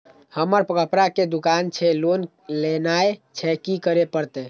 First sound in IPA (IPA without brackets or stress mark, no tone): h